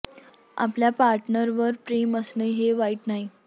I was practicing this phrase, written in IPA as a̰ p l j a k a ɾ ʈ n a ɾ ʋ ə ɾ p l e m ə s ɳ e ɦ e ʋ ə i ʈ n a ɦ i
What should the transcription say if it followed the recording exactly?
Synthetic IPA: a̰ p l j a p a ɾ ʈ n ə ɾ ʋ ə ɾ p ɾ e m ə s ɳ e ɦ e ʋ a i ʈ n a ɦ i